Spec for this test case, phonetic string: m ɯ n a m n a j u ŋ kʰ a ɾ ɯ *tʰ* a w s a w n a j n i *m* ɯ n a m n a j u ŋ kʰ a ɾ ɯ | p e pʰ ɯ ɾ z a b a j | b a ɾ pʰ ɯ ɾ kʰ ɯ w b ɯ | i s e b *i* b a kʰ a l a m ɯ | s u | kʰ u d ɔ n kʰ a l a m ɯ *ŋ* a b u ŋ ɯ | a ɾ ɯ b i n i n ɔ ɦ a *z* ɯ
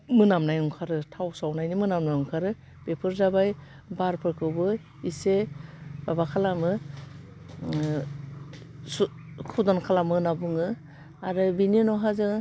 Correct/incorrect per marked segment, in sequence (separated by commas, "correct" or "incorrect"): correct, correct, incorrect, incorrect, correct